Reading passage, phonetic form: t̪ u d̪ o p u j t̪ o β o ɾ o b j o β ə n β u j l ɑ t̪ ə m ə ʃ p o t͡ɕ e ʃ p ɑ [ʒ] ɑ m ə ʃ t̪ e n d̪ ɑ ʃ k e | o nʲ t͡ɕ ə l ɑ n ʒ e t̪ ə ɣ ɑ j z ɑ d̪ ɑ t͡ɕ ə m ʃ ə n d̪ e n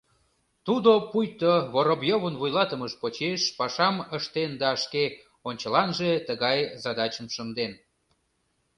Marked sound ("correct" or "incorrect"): incorrect